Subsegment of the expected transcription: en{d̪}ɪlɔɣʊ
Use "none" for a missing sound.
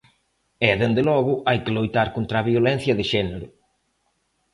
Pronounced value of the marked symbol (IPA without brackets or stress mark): d̪